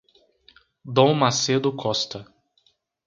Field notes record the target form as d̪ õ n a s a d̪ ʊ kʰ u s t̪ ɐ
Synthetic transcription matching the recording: d̪ õ m a s e d̪ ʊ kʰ ɔ s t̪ ɐ